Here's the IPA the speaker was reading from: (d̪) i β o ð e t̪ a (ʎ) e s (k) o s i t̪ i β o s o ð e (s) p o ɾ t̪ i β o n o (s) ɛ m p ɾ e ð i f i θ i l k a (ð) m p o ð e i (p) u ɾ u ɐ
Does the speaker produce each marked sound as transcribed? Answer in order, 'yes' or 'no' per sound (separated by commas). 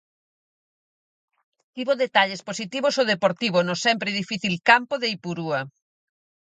no, yes, no, no, yes, no, yes